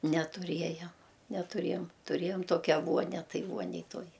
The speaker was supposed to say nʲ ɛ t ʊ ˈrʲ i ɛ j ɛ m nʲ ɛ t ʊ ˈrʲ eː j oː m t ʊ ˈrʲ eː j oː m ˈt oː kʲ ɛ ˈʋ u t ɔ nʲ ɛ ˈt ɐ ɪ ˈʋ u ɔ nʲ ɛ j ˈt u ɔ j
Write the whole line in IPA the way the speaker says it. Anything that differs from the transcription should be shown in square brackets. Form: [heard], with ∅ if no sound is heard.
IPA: nʲ ɛ t ʊ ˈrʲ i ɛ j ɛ m nʲ ɛ t ʊ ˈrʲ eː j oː m t ʊ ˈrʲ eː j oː m ˈt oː kʲ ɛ ˈʋ u [∅] ɔ nʲ ɛ ˈt ɐ ɪ ˈʋ u ɔ nʲ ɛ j ˈt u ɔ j